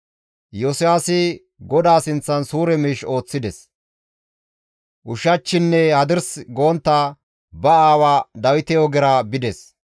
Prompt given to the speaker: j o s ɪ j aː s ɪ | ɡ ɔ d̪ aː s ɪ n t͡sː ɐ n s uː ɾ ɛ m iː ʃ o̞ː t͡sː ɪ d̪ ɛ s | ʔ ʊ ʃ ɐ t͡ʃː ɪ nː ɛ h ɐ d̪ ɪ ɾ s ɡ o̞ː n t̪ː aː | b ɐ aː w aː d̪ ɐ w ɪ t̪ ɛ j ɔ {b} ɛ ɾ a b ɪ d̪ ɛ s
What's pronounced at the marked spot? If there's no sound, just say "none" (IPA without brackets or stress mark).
ɡ